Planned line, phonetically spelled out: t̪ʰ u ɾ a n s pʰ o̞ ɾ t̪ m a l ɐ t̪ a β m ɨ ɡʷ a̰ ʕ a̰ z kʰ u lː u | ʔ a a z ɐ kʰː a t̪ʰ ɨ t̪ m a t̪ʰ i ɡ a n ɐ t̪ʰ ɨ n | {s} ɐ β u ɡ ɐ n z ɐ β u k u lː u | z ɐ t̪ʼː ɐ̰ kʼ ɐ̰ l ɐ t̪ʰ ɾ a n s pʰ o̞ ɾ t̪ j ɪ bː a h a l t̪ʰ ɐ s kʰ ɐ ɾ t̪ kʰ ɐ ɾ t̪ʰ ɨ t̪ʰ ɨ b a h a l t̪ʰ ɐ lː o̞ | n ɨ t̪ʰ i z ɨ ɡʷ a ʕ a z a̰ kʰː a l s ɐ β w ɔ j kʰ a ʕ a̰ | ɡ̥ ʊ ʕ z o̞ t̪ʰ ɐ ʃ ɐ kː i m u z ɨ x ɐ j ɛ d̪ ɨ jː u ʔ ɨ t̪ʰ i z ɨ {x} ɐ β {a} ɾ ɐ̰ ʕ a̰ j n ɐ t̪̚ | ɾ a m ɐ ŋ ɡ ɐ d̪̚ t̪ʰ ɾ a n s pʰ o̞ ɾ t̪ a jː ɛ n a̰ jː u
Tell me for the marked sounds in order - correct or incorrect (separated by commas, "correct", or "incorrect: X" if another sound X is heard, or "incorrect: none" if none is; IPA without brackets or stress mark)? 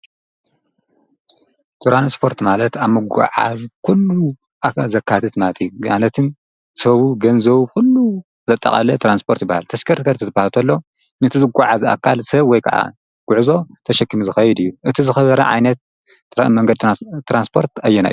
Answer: correct, correct, incorrect: ɐ